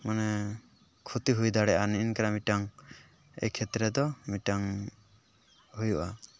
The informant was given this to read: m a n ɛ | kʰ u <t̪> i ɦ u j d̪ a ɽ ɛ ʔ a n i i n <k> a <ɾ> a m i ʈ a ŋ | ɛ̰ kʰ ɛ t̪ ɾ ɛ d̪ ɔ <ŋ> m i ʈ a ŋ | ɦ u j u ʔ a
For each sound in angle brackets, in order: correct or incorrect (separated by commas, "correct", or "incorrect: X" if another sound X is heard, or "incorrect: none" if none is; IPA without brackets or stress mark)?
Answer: correct, correct, correct, incorrect: none